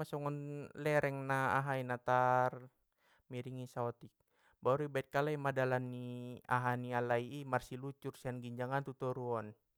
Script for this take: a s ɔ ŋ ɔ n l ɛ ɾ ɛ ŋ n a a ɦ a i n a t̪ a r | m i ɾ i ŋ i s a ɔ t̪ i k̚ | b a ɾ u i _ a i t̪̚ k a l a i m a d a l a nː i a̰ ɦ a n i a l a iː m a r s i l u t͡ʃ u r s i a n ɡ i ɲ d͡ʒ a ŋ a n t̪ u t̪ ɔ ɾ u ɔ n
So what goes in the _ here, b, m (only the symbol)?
b